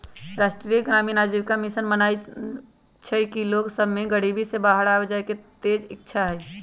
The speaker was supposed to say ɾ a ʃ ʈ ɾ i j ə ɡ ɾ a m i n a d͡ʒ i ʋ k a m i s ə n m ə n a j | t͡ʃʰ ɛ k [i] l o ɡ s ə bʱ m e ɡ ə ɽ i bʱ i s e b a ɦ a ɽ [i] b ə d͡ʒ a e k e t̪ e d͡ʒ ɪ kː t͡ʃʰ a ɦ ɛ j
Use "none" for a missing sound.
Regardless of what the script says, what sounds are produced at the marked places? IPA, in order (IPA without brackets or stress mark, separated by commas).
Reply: i, a